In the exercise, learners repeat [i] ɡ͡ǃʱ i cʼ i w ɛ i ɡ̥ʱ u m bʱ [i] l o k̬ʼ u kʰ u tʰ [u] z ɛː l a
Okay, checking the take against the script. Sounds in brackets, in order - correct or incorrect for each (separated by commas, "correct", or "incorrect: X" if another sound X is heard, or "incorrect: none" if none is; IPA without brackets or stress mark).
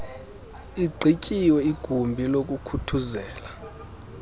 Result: correct, correct, correct